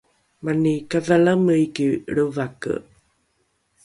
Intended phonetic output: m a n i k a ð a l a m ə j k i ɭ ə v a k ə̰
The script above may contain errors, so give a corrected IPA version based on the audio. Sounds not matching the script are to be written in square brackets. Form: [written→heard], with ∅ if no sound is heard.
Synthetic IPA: m a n i k a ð a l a m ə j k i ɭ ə v a k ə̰